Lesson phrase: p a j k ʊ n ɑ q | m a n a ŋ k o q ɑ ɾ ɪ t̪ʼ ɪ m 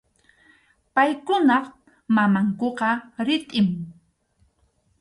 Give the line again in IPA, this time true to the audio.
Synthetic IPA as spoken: p a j k ʊ n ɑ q | m a m a ŋ k o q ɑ ɾ ɪ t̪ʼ ɪ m